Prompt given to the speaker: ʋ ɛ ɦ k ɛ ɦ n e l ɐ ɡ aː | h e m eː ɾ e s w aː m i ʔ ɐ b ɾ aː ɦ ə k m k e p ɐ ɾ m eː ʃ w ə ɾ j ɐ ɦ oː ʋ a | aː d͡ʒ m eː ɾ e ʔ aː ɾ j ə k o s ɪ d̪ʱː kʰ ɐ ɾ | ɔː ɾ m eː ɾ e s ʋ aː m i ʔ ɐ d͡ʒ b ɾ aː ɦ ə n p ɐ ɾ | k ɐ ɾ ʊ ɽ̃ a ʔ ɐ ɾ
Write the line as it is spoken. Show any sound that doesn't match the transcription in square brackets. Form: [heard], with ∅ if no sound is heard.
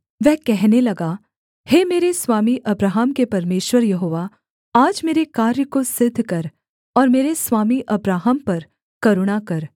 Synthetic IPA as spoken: ʋ ɛ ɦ k ɛ ɦ n e l ɐ ɡ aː | h e m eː ɾ e s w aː m i ʔ ɐ b ɾ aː ɦ ə [∅] m k e p ɐ ɾ m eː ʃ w ə ɾ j ɐ ɦ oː ʋ a | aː d͡ʒ m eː ɾ e [k] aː ɾ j ə k o s ɪ d̪ʱː [k] ɐ ɾ | ɔː ɾ m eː ɾ e s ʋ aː m i ʔ ɐ [∅] b ɾ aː ɦ ə [m] p ɐ ɾ | k ɐ ɾ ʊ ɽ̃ a [k] ɐ ɾ